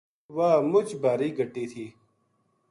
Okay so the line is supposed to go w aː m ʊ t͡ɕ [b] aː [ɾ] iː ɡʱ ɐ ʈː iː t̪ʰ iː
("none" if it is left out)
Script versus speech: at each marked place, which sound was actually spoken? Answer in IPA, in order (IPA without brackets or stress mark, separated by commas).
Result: b, ɾ